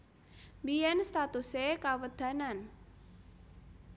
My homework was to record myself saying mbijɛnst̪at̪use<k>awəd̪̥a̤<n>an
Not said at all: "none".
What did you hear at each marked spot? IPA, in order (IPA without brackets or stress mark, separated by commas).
k, n